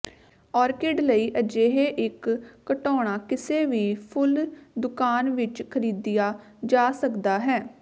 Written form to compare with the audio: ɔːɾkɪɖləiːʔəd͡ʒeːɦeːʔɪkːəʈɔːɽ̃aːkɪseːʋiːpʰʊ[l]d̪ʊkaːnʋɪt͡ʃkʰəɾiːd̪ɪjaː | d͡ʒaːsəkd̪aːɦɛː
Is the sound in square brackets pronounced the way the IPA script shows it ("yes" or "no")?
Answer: yes